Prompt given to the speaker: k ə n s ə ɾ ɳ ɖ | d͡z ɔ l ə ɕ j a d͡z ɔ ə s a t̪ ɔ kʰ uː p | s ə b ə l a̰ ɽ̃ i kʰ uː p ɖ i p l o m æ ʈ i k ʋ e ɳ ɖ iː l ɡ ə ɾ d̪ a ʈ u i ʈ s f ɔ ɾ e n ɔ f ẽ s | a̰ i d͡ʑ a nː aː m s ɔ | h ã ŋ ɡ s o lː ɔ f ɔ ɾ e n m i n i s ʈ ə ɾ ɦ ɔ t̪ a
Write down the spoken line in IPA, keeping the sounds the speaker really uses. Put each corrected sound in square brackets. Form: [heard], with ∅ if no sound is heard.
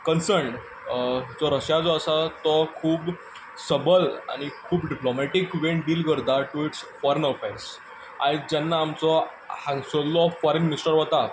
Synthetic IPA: k ə n s ə ɾ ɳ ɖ | d͡z ɔ [ɾ] ə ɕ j a d͡z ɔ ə s a t̪ ɔ kʰ uː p | s ə b ə l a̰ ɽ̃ i kʰ uː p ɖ i p l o m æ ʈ i k ʋ e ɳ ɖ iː l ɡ ə ɾ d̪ a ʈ u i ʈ s f ɔ ɾ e n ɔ f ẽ s | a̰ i d͡ʑ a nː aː m [t͡s] ɔ | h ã ŋ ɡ s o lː ɔ f ɔ ɾ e n m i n i s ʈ ə ɾ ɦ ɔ t̪ a